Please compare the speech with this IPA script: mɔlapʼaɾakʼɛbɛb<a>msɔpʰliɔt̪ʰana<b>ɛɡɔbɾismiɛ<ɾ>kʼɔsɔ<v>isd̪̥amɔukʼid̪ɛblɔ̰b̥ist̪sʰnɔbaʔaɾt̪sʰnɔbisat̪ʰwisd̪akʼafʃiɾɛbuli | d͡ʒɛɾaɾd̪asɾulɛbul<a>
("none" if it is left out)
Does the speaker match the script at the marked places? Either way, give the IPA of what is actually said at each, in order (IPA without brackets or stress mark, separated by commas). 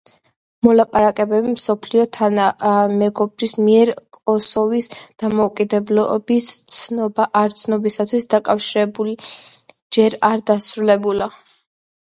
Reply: i, m, ɾ, v, a